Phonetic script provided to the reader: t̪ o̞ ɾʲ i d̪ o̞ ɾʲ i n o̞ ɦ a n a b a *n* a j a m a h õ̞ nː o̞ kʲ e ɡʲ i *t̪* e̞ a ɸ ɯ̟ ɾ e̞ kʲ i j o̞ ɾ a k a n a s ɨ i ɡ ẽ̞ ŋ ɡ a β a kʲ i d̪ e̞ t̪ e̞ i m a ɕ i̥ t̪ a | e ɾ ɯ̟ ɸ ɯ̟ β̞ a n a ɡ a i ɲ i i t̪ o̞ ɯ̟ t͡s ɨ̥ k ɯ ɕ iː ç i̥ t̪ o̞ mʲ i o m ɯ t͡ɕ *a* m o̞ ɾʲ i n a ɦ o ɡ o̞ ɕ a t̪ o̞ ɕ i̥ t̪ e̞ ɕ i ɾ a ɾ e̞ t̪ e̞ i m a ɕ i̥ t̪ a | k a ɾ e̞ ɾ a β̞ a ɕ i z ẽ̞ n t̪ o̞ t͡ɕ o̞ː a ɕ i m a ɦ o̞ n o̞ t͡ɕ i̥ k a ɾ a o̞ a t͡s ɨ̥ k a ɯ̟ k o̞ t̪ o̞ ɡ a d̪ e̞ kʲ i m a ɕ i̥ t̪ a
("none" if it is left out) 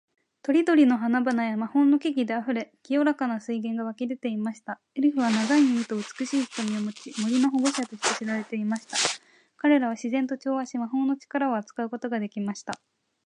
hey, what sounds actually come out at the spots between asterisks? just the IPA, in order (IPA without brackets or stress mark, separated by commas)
n, d̪, i